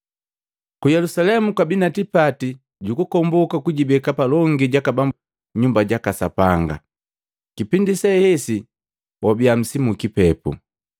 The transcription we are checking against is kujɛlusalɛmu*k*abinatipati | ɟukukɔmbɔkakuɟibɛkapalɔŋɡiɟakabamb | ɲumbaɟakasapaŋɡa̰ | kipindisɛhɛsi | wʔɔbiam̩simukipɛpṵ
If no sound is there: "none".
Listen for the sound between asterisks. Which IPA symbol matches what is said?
k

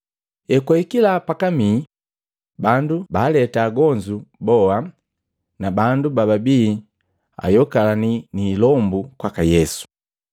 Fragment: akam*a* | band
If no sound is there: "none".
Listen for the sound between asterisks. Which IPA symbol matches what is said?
i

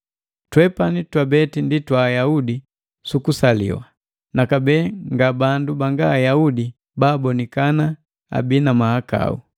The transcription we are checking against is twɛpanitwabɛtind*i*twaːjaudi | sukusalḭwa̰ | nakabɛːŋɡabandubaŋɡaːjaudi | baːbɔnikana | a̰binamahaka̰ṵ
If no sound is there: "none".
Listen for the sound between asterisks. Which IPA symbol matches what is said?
i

